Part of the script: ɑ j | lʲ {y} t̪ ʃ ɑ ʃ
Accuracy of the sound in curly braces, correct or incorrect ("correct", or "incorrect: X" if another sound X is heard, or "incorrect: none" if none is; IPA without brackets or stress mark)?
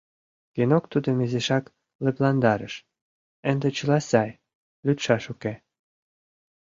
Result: correct